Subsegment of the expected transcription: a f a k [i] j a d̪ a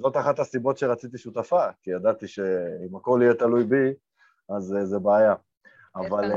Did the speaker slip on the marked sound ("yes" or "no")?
no